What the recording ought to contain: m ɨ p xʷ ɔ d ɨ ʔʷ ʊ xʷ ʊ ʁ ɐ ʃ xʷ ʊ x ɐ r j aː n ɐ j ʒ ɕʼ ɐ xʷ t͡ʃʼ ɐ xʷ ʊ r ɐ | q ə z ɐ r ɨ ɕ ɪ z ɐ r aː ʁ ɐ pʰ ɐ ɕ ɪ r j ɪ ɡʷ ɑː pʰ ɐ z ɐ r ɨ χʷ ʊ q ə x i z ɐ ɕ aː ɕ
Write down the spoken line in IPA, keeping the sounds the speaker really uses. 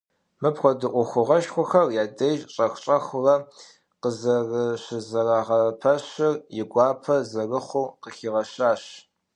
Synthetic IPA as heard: m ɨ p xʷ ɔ d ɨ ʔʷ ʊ xʷ ʊ ʁ ɐ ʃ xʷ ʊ x ɐ r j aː d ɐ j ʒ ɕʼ ɐ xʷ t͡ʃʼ ɐ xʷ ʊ r ɐ | q ə z ɐ r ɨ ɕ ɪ z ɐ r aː ʁ ɐ pʰ ɐ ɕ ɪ r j ɪ ɡʷ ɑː pʰ ɐ z ɐ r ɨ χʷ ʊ q ə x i ʁ ɐ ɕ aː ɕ